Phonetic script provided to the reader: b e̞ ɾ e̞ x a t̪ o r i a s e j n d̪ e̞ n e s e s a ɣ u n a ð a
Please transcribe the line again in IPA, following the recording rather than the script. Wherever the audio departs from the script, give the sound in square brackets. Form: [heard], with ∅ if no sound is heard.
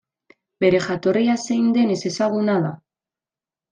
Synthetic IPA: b e̞ ɾ e̞ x a t̪ o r i a s e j n d̪ e̞ n e s e s a ɣ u n a ð a